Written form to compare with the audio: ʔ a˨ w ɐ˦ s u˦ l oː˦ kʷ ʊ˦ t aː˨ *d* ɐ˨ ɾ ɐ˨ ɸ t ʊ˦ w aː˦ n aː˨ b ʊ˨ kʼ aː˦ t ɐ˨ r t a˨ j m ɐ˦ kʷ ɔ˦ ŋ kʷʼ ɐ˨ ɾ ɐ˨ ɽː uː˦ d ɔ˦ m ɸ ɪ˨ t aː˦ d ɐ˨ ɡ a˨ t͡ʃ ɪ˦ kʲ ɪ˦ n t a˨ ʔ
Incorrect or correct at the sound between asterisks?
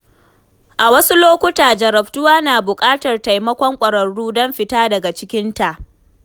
incorrect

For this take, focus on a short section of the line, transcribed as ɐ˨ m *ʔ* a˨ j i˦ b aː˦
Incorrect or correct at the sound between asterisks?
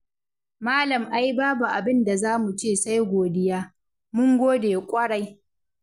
correct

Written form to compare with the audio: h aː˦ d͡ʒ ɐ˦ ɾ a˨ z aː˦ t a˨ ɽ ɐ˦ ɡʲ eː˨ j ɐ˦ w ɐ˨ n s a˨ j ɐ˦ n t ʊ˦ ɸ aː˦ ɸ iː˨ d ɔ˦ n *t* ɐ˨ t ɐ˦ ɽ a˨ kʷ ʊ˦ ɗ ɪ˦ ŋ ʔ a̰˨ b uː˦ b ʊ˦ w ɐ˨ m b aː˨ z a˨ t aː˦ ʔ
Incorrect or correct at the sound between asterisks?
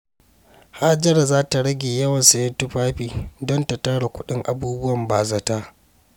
correct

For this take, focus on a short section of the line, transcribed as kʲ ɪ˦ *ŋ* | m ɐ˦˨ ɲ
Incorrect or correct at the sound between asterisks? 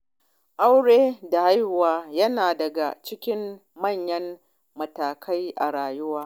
incorrect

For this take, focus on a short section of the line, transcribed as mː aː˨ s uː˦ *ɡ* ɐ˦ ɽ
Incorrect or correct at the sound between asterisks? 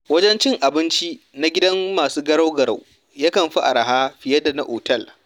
correct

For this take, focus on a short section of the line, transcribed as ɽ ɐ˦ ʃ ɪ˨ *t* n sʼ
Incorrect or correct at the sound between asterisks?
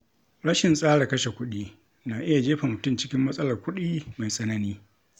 incorrect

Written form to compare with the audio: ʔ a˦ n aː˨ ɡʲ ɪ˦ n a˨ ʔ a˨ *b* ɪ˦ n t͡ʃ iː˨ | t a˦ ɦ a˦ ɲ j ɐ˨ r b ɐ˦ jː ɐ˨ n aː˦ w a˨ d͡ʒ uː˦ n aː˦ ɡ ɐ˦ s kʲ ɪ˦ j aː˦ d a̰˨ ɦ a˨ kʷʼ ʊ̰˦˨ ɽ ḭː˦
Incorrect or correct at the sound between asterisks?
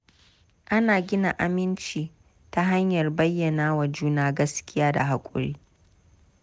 incorrect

